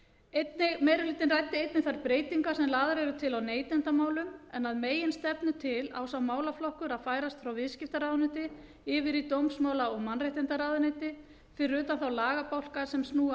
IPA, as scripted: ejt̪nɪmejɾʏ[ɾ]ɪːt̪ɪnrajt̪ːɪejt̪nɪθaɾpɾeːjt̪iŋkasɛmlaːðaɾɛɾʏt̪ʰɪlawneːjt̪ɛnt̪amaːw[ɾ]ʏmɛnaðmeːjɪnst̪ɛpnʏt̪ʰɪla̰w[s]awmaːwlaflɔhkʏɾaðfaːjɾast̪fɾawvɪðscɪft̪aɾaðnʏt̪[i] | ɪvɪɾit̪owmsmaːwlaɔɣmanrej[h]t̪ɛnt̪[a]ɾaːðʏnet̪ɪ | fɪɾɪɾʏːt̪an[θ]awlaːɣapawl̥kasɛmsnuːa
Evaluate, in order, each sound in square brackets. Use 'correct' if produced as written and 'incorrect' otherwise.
incorrect, incorrect, correct, incorrect, correct, correct, correct

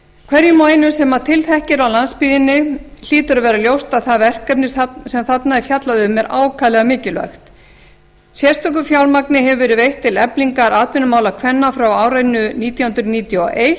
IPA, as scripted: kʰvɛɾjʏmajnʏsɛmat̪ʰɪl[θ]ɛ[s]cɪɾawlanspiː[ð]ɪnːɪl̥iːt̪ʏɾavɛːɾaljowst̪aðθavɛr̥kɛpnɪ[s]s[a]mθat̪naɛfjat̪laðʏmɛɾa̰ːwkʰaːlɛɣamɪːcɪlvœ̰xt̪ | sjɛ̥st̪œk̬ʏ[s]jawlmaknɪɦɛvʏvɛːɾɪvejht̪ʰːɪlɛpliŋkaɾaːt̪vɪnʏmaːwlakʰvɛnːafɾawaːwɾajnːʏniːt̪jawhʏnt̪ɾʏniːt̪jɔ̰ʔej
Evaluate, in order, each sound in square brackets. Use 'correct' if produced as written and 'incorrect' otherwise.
correct, incorrect, correct, correct, incorrect, incorrect

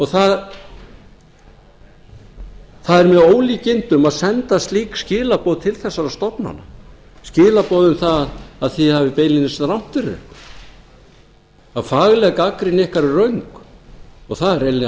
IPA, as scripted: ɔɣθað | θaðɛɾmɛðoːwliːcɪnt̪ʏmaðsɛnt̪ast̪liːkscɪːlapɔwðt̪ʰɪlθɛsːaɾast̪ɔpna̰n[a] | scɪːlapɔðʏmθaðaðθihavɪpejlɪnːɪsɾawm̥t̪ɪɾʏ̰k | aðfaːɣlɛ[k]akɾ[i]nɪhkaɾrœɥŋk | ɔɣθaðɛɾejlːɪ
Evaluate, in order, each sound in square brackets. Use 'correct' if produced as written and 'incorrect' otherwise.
correct, correct, incorrect

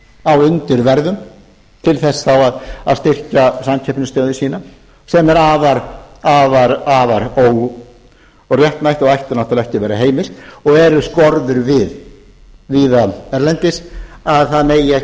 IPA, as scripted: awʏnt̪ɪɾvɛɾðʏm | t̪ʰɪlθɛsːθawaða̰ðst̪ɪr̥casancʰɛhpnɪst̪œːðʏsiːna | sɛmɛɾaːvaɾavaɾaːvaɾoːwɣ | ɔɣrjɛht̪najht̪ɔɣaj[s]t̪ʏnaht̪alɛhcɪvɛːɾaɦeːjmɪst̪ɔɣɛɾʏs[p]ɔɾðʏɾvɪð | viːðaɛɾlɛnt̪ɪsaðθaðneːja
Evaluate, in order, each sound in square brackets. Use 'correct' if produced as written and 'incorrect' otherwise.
incorrect, incorrect

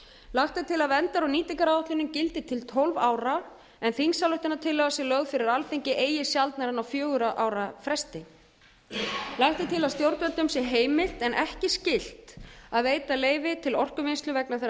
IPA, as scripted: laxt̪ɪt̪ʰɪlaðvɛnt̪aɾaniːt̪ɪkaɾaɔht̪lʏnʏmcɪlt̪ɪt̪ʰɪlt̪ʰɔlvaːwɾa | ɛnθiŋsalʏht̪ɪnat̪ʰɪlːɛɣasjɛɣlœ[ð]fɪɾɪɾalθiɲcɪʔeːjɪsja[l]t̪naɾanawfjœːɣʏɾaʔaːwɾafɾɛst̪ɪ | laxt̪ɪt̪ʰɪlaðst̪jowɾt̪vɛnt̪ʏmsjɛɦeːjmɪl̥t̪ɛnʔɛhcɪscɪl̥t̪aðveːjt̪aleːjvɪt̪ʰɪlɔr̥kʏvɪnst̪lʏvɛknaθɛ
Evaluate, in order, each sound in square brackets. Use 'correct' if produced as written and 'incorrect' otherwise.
incorrect, correct

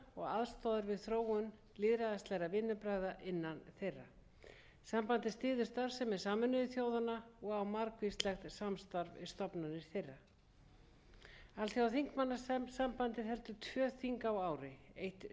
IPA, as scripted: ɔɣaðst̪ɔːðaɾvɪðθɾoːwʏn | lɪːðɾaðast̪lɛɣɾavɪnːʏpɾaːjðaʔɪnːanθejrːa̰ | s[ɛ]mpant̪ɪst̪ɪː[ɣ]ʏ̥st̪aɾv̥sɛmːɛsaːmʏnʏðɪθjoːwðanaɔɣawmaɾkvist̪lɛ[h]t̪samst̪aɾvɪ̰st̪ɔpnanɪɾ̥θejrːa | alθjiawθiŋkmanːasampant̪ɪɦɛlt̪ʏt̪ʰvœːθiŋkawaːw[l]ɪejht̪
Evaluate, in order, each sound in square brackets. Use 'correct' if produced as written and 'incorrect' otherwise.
incorrect, incorrect, incorrect, incorrect

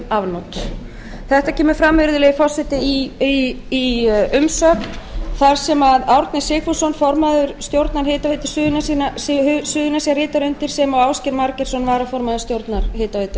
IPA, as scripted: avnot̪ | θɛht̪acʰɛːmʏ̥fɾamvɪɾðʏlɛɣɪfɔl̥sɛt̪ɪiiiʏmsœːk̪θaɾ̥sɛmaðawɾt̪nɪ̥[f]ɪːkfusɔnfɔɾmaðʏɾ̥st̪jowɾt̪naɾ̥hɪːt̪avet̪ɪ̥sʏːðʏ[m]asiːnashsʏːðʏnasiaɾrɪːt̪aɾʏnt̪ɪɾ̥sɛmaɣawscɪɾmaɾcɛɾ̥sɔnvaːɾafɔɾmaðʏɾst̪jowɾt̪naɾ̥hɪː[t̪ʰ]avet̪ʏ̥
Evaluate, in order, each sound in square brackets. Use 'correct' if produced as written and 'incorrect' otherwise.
incorrect, incorrect, incorrect

